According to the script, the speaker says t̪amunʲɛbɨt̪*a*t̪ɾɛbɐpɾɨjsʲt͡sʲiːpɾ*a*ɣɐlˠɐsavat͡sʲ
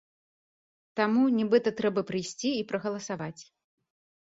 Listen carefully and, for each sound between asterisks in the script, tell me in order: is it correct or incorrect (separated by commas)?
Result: incorrect, incorrect